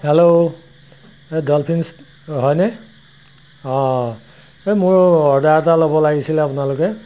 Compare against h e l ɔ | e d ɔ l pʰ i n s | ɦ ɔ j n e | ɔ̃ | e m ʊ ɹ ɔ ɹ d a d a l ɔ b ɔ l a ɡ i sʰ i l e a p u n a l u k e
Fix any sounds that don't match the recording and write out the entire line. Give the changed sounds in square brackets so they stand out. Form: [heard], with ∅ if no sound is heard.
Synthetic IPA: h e l [o] | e d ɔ l pʰ i n s | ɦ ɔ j n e | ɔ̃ | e m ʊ ɹ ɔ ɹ d a [t] a l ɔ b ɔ l a ɡ i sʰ i l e a p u n a l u k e